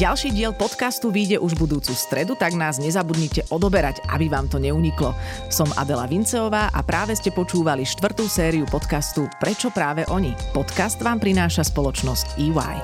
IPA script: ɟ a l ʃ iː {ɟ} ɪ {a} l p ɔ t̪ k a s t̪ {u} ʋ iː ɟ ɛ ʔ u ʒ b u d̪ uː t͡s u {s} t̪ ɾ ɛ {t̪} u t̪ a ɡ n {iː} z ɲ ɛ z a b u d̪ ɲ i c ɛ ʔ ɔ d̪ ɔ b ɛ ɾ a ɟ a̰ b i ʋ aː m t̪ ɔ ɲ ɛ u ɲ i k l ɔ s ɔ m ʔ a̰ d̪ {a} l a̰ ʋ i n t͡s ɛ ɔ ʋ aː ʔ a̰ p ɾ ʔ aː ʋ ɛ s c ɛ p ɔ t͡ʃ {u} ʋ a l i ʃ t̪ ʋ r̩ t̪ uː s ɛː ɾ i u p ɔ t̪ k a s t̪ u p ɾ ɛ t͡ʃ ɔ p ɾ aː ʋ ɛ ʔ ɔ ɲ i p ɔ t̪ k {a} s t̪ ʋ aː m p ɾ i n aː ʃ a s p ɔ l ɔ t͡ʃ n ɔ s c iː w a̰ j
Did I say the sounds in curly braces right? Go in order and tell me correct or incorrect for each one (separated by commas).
correct, incorrect, correct, correct, incorrect, incorrect, incorrect, incorrect, correct